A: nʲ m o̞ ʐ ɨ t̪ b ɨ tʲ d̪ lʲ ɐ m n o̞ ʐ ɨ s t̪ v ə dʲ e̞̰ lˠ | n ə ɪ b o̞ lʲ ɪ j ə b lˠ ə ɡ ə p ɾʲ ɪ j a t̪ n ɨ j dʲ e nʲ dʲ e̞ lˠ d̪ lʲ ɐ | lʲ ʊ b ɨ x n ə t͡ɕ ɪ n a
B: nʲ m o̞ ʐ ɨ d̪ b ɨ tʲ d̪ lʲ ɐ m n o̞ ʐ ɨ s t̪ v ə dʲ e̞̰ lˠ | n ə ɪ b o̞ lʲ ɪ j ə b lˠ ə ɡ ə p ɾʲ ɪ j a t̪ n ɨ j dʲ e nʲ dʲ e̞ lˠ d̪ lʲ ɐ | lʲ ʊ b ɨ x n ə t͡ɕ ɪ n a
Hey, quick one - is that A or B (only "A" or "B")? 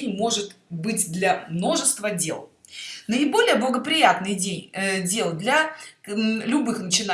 A